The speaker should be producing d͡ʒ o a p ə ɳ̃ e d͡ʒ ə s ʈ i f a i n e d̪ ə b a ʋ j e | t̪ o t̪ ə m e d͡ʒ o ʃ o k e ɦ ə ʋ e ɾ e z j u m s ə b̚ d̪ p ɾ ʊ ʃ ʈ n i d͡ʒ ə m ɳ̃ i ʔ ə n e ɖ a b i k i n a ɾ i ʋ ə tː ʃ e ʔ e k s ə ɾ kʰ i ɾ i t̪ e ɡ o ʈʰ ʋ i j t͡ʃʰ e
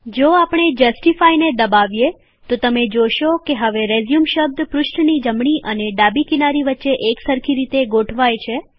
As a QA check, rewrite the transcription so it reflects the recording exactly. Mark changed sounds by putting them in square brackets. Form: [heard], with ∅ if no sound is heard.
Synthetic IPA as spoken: d͡ʒ o a p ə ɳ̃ e d͡ʒ ə s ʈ i f a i n e d̪ ə b a ʋ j e | t̪ o t̪ ə m e d͡ʒ o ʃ o k e ɦ ə ʋ e ɾ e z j u m [ʃ] ə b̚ d̪ p ɾ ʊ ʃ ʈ n i d͡ʒ ə m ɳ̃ i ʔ ə n e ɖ a b i k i n a ɾ i ʋ ə tː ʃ e ʔ e k s ə ɾ kʰ i ɾ i t̪ e ɡ o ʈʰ ʋ [a] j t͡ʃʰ e